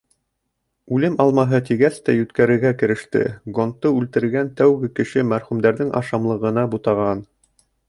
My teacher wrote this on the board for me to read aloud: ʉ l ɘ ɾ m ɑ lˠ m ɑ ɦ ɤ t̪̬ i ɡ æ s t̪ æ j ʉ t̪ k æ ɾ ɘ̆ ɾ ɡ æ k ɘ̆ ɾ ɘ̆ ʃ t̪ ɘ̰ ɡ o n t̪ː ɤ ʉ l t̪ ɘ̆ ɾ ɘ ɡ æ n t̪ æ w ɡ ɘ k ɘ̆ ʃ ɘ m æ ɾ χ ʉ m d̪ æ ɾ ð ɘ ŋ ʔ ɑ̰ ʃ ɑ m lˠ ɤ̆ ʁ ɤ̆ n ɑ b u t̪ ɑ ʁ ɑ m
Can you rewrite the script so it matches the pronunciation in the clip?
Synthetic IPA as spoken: ʉ l ɘ m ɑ lˠ m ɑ ɦ ɤ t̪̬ i ɡ æ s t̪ æ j ʉ t̪ k æ ɾ ɘ̆ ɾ ɡ æ k ɘ̆ ɾ ɘ̆ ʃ t̪ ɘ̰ ɡ o n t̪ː ɤ ʉ l t̪ ɘ̆ ɾ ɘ ɡ æ n t̪ æ w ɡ ɘ k ɘ̆ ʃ ɘ m æ ɾ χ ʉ m d̪ æ ɾ ð ɘ ŋ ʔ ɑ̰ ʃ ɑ m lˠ ɤ̆ ʁ ɤ̆ n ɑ b u t̪ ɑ ʁ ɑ n